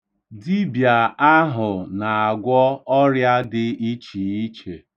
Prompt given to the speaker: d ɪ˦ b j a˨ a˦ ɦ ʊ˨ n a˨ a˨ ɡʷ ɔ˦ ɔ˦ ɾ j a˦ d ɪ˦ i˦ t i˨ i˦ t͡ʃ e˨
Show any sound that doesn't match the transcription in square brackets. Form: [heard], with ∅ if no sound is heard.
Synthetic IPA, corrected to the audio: d [i˦] b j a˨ a˦ ɦ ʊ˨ n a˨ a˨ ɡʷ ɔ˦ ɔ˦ ɾ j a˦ d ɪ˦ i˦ [t͡ʃ] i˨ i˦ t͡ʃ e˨